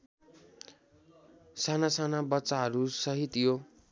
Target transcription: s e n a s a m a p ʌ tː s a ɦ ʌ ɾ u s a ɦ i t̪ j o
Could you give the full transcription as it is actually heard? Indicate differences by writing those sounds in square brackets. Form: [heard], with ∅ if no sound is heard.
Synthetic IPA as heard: s [a] n a s a [n] a [b] ʌ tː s a ɦ ʌ ɾ u s [ʌ] ɦ i t̪ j o